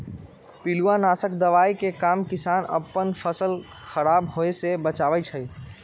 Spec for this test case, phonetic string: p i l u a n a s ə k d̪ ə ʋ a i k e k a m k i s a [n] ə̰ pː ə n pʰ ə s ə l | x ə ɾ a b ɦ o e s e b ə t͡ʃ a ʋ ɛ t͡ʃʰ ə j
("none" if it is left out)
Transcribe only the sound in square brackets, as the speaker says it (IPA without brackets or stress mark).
n